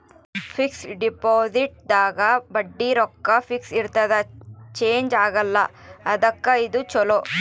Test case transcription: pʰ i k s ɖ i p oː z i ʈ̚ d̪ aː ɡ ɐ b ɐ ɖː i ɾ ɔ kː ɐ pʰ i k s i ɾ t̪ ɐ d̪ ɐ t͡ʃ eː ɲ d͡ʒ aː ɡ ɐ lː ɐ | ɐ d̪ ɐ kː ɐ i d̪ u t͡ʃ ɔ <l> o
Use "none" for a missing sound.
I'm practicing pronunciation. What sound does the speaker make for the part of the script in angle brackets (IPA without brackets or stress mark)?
l